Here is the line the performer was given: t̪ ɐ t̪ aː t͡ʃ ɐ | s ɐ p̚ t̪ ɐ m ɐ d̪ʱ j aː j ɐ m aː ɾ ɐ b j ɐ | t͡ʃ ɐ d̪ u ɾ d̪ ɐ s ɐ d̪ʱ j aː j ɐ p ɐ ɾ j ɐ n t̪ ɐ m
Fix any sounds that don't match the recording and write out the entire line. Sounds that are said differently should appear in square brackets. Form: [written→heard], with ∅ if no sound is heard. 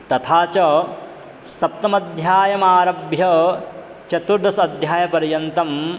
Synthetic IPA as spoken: t̪ ɐ [t̪→t̪ʰ] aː t͡ʃ ɐ | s ɐ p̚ t̪ ɐ m ɐ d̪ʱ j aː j ɐ m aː ɾ ɐ b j ɐ | t͡ʃ ɐ [d̪→t̪] u ɾ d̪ ɐ s ɐ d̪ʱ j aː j ɐ p ɐ ɾ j ɐ n t̪ ɐ m

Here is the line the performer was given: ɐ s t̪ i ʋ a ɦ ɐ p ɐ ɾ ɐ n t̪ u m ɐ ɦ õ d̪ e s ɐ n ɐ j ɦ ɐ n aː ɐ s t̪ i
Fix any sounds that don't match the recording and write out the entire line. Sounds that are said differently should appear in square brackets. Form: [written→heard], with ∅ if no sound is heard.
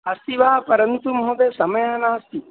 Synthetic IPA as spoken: ɐ s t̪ i ʋ a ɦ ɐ p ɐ ɾ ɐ n t̪ u m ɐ ɦ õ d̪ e s ɐ [n→m] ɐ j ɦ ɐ n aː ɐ s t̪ i

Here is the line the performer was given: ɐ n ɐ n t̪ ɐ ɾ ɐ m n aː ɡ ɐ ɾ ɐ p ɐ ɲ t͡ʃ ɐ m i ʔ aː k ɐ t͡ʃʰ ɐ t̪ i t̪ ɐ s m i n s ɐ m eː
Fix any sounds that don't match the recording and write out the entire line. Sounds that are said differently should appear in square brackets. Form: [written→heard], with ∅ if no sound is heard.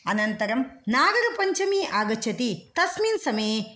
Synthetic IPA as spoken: ɐ n ɐ n t̪ ɐ ɾ ɐ m n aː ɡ ɐ ɾ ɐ p ɐ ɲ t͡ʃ ɐ m i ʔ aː [k→ɡ] ɐ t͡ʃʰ ɐ t̪ i t̪ ɐ s m i n s ɐ m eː

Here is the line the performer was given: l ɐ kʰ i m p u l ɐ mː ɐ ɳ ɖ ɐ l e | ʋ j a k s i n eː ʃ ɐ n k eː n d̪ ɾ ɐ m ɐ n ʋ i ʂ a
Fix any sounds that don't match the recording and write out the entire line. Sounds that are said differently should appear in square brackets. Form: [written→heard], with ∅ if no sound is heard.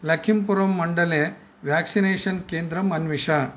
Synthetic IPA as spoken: l ɐ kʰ i m p u [l→ɾ] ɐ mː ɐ ɳ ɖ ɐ l e | ʋ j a k s i n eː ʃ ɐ n k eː n d̪ ɾ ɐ m ɐ n ʋ i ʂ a

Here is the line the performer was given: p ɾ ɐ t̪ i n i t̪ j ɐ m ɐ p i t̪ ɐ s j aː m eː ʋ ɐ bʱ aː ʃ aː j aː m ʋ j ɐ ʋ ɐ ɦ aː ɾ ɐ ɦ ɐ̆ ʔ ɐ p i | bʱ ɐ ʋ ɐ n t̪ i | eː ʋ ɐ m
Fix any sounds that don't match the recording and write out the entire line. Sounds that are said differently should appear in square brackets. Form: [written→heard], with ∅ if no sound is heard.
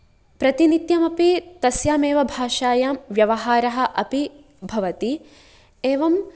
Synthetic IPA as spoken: p ɾ ɐ t̪ i n i t̪ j ɐ m ɐ p i t̪ ɐ s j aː m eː ʋ ɐ bʱ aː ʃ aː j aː m ʋ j ɐ ʋ ɐ ɦ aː ɾ ɐ ɦ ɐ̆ ʔ ɐ p i | bʱ ɐ ʋ ɐ [n→∅] t̪ i | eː ʋ ɐ m

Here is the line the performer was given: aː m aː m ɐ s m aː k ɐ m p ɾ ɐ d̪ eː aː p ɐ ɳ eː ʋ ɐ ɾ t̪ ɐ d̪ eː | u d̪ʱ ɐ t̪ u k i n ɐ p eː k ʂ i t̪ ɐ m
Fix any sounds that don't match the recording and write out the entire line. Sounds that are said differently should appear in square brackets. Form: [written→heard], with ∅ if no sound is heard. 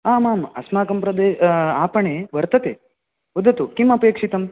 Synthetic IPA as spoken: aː m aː m ɐ s m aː k ɐ m p ɾ ɐ d̪ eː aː p ɐ ɳ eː ʋ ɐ ɾ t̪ ɐ [d̪→t̪] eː | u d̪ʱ ɐ t̪ u k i [n→m] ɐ p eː k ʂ i t̪ ɐ m

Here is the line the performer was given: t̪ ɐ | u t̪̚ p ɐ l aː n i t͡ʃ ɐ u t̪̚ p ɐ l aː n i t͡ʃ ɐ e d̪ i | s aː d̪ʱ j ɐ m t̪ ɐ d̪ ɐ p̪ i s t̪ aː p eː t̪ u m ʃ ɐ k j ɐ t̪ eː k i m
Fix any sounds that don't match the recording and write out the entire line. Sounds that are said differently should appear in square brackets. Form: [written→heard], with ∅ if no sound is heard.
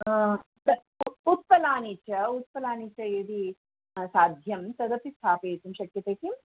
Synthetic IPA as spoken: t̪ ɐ | u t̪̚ p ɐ l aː n i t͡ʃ ɐ u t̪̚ p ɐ l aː n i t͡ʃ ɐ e d̪ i | s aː d̪ʱ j ɐ m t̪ ɐ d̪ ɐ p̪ i s [t̪→t̪ʰ] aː p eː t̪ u m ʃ ɐ k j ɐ t̪ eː k i m

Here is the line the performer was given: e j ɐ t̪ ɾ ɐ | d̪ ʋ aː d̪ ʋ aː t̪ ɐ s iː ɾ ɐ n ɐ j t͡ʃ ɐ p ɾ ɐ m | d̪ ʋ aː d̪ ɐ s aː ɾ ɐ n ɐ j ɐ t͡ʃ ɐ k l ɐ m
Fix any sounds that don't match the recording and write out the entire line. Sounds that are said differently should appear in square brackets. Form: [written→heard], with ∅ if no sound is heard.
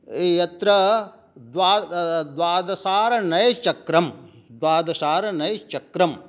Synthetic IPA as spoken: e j ɐ t̪ ɾ ɐ | d̪ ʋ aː d̪ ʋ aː [t̪→d̪] ɐ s [iː→aː] ɾ ɐ n ɐ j t͡ʃ ɐ [p→k] ɾ ɐ m | d̪ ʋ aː d̪ ɐ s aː ɾ ɐ n ɐ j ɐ t͡ʃ ɐ k [l→ɾ] ɐ m

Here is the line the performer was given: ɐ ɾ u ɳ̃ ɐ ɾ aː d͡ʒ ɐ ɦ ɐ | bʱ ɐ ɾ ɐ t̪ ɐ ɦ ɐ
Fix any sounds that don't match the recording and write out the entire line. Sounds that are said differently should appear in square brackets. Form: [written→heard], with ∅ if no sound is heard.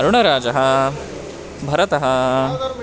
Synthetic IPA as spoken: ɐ ɾ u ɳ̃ ɐ ɾ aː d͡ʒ ɐ ɦ ɐ | bʱ ɐ ɾ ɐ t̪ ɐ ɦ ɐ

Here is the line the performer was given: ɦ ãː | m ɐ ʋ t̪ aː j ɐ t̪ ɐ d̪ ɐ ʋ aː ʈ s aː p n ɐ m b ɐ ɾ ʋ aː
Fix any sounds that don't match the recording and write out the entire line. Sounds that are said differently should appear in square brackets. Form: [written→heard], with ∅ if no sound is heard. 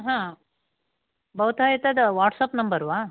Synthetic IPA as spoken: ɦ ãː | [m→b] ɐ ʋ t̪ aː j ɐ t̪ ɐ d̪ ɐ ʋ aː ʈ s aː p n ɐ m b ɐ ɾ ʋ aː

